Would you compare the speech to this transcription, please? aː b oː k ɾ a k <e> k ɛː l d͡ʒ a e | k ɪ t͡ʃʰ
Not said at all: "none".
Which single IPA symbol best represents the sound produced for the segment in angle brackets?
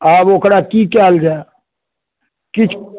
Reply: i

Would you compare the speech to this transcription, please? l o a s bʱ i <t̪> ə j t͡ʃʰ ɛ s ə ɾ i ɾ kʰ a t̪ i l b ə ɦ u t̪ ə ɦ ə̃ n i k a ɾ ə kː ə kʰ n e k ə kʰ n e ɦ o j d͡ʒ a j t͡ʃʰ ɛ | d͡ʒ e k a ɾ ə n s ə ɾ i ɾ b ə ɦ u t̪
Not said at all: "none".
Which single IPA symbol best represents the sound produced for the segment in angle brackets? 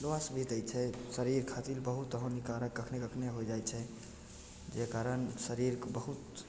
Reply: t̪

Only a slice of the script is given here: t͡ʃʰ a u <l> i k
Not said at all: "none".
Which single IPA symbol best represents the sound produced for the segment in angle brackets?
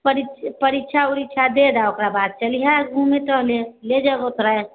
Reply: ɾ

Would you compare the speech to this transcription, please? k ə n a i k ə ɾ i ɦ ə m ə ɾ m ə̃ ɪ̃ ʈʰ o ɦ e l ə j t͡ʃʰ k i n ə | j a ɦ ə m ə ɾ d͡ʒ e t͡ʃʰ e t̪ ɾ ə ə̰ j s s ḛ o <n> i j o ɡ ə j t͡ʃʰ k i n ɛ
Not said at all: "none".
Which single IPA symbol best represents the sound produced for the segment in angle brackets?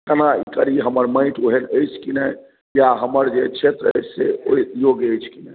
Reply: none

